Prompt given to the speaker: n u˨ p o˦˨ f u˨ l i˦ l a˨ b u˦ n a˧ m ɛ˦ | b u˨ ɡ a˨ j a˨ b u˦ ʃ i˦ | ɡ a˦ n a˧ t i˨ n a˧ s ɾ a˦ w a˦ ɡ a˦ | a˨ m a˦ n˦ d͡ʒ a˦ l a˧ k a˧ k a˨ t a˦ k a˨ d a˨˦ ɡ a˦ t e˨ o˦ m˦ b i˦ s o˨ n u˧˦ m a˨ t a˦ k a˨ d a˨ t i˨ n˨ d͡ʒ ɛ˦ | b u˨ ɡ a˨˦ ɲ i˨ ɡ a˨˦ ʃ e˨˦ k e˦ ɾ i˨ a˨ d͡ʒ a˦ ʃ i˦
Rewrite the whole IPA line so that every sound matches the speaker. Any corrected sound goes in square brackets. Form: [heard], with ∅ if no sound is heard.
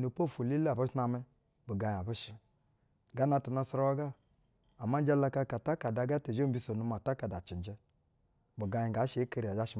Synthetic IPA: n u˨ p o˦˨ f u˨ l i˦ l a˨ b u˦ n a˧ m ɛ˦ | b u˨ ɡ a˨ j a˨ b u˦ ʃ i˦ | ɡ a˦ n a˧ t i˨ n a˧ s ɾ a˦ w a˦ ɡ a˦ | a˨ m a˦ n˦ d͡ʒ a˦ l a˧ k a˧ k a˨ t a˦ k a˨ d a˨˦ ɡ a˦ t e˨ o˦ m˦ b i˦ s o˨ n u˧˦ m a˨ t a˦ k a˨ d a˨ [t͡ʃ] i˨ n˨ d͡ʒ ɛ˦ | b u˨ ɡ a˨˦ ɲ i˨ ɡ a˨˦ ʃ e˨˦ k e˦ ɾ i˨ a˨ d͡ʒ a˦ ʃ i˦